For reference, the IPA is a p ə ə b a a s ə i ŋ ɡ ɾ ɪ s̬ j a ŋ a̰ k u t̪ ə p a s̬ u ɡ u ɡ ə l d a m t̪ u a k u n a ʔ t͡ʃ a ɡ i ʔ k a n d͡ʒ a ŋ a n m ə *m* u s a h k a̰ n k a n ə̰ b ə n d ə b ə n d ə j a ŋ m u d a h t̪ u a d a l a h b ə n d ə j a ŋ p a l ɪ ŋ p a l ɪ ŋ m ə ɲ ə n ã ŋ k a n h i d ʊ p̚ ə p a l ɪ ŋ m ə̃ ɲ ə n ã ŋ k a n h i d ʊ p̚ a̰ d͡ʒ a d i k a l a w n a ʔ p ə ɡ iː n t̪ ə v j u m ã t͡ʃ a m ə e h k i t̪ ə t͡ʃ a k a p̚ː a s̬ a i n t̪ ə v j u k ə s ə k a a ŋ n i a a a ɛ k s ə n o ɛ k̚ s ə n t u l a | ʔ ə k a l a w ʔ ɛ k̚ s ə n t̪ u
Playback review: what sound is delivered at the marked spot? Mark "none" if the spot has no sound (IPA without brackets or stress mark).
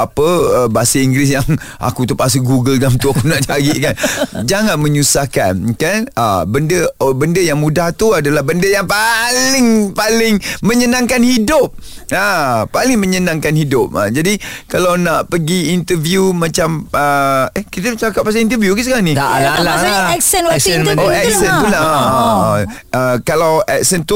ɲ